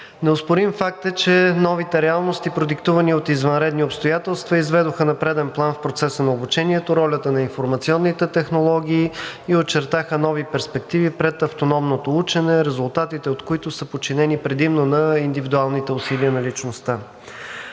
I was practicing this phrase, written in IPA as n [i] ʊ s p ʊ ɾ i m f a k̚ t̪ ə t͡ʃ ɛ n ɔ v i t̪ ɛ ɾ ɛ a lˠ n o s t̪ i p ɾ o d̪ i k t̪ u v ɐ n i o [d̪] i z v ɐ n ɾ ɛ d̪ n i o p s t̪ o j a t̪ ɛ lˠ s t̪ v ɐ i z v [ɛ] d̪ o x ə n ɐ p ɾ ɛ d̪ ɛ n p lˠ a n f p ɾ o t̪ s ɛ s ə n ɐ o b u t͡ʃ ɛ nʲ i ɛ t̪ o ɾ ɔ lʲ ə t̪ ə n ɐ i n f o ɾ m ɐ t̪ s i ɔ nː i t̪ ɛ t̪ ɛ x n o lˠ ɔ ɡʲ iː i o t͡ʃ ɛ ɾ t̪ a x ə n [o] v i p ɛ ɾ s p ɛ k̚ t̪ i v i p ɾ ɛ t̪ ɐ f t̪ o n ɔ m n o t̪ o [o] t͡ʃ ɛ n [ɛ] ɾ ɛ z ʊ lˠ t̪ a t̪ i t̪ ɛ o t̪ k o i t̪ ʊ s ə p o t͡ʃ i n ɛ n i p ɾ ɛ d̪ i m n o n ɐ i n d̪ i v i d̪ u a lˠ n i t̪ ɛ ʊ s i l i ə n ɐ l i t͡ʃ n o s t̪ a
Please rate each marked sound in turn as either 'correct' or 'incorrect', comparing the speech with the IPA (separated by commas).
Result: incorrect, incorrect, correct, incorrect, incorrect, correct